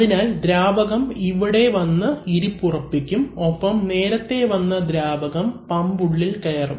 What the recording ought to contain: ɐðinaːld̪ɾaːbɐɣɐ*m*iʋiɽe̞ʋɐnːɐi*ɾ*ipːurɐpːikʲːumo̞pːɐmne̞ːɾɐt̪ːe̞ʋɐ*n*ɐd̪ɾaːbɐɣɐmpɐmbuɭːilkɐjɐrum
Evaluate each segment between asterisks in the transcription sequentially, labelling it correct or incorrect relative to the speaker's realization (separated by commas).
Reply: correct, correct, incorrect